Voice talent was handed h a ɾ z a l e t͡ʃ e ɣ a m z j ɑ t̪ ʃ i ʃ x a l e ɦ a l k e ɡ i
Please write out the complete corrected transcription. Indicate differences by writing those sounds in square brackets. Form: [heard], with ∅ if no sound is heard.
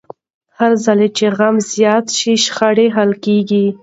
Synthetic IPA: h a ɾ z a l e t͡ʃ e ɣ a m z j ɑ t̪ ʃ i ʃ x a [ɽ] e ɦ a l k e ɡ i